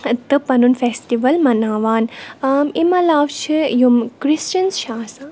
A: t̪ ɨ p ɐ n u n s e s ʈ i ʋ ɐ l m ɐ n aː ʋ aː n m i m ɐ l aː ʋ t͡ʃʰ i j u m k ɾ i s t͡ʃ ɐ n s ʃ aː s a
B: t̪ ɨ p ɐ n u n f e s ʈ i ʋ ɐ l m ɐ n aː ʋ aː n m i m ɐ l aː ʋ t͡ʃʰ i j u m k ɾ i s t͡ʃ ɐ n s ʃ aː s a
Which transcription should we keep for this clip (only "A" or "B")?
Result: B